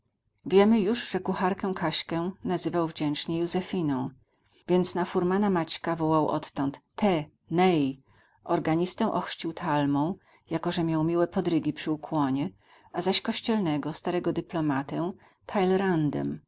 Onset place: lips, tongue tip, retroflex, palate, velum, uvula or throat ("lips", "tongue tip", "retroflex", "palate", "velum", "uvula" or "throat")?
lips